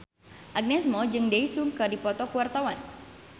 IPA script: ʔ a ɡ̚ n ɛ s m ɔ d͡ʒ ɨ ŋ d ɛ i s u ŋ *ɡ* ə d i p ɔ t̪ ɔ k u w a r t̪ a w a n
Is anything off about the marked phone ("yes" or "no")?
yes